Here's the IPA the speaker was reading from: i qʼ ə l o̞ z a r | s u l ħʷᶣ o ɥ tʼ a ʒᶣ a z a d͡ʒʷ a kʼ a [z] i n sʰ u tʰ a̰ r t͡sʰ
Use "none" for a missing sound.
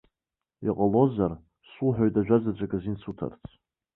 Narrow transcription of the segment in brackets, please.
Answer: z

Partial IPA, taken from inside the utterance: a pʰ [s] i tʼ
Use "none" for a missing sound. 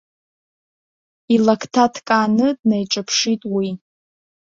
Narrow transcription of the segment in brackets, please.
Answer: ʂ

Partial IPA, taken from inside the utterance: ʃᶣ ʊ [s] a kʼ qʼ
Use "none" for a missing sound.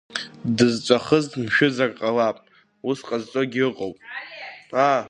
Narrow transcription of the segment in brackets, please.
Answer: z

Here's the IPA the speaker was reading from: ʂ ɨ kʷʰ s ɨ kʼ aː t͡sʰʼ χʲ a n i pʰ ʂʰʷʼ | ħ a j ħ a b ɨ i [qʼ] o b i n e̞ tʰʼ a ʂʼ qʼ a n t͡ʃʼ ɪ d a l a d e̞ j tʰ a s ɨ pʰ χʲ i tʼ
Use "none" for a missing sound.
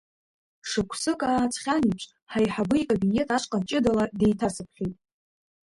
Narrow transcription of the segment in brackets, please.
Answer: kʼ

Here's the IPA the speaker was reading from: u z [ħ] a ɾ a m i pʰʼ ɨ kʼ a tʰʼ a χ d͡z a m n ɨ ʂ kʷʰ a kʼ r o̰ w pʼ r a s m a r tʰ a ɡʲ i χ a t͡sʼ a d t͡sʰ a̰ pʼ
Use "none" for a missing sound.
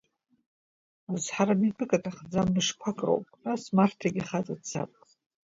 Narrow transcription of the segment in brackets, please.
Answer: ħ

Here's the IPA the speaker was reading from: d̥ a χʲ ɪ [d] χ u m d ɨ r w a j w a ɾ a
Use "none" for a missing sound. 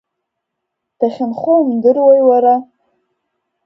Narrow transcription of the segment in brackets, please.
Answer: n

